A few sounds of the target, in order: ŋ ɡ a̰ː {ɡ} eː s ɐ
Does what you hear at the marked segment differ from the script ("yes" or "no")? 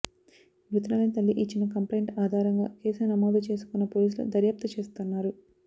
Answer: yes